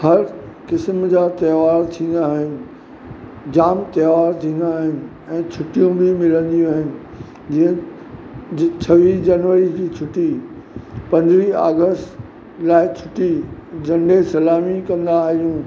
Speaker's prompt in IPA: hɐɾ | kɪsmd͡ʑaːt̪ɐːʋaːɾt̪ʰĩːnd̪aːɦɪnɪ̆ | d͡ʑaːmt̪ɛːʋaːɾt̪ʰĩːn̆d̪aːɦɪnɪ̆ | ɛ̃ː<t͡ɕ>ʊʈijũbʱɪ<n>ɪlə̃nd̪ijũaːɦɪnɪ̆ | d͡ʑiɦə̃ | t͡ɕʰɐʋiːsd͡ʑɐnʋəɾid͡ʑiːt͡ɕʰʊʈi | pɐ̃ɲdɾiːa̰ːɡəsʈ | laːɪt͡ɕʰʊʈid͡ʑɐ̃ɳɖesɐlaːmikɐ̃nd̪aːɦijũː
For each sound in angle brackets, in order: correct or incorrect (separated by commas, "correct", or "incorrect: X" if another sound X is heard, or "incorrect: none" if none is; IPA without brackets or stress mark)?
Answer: incorrect: t͡ɕʰ, incorrect: m